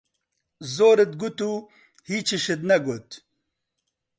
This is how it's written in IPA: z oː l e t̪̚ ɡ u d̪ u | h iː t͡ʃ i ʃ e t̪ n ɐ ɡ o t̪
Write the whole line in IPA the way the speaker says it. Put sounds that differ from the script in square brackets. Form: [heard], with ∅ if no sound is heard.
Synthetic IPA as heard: z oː [ɾ] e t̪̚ ɡ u [t̪] u | h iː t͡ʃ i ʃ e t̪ n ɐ ɡ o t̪